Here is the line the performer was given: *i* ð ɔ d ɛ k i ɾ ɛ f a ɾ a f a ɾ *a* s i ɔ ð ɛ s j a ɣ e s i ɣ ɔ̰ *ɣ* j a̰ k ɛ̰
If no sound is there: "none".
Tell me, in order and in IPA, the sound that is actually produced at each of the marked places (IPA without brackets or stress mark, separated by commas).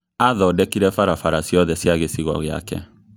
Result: a, a, ɣ